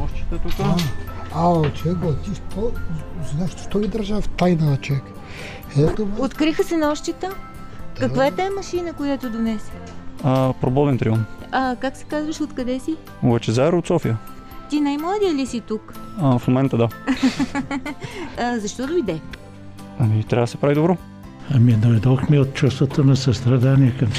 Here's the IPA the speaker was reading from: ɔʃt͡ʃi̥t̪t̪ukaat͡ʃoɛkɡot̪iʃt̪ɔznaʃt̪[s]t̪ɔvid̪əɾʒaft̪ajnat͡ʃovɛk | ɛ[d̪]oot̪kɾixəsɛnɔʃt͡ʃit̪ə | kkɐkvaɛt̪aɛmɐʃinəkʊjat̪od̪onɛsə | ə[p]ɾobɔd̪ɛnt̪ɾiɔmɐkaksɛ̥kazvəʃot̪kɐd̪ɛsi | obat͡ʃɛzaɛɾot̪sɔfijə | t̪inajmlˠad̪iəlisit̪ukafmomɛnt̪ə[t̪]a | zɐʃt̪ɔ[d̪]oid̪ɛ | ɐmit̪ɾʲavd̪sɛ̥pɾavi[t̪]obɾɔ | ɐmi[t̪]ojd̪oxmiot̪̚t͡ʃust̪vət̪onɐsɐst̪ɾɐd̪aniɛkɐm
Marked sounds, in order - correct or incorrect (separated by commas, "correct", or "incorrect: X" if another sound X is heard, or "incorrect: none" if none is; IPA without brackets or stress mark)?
incorrect: ʃ, incorrect: t̪, correct, incorrect: d̪, correct, incorrect: d̪, incorrect: d̪